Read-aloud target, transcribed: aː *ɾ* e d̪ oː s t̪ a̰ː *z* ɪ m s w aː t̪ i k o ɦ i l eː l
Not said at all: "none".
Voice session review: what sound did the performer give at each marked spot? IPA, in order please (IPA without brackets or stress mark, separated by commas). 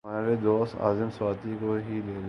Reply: ɾ, z